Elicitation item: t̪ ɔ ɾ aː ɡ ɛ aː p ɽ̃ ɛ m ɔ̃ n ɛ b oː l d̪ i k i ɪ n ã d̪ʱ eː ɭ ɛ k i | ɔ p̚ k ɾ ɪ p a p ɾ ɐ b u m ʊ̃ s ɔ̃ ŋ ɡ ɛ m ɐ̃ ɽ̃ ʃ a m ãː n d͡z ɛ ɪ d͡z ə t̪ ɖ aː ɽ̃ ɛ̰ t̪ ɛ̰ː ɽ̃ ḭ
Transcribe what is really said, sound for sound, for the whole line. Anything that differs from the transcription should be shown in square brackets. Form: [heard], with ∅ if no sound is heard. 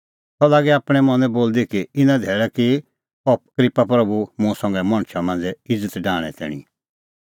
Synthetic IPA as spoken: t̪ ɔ [l] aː ɡ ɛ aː p ɽ̃ ɛ m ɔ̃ n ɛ b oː l d̪ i k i ɪ n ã d̪ʱ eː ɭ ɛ k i | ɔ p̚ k ɾ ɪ p a p ɾ ɐ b u m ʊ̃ s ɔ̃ ŋ ɡ ɛ m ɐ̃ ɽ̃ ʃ a m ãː n d͡z ɛ ɪ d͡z ə t̪ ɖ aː ɽ̃ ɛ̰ t̪ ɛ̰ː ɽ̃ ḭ